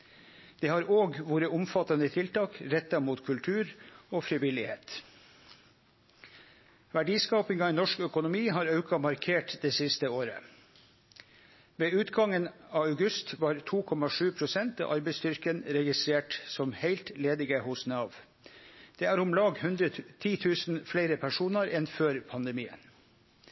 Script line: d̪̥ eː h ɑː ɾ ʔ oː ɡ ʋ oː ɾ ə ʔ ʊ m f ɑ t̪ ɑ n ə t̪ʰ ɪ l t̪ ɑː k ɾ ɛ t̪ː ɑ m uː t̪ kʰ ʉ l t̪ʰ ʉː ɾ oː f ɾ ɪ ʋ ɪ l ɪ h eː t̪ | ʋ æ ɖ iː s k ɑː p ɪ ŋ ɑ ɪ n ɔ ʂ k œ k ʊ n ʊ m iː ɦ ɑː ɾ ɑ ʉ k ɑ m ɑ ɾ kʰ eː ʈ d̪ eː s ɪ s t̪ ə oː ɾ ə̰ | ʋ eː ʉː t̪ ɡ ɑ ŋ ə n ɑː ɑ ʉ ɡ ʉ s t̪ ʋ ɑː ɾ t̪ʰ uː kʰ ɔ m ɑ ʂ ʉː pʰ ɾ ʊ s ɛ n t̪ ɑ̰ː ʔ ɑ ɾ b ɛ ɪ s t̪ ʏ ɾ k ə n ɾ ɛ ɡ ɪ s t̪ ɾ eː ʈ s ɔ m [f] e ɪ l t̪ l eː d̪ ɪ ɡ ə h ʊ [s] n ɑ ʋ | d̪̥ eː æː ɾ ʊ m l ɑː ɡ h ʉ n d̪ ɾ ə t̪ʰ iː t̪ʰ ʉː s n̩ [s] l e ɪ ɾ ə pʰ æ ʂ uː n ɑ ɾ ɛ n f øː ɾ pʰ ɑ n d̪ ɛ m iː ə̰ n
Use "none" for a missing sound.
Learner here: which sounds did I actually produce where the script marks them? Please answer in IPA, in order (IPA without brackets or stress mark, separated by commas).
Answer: h, s, f